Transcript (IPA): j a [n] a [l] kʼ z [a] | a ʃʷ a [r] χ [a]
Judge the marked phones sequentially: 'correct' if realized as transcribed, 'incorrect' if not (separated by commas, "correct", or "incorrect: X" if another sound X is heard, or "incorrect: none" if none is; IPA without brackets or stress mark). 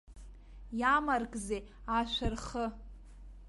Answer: incorrect: m, incorrect: r, incorrect: e, correct, incorrect: ə